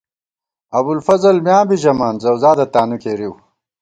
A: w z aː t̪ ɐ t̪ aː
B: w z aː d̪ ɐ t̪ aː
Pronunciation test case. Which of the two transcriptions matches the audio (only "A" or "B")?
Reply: B